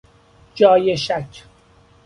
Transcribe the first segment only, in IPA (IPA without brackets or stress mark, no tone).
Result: d͡ʒ